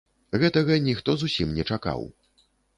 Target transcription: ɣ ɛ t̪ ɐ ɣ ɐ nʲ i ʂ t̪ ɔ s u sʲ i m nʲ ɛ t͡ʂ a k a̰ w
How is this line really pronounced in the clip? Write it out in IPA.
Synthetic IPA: ɣ ɛ t̪ ɐ ɣ ɐ nʲ i x t̪ ɔ z u sʲ i m nʲ ɛ t͡ʂ a k a̰ w